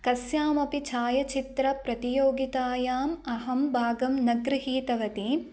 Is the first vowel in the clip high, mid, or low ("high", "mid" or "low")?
low